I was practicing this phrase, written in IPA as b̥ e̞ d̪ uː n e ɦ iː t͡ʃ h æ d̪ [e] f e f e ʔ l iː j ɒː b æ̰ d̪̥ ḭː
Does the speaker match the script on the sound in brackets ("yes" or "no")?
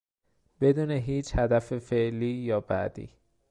no